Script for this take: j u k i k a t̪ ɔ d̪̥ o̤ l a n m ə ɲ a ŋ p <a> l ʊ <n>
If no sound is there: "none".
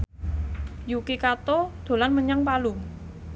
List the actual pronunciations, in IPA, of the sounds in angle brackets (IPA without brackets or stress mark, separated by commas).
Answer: a, ŋ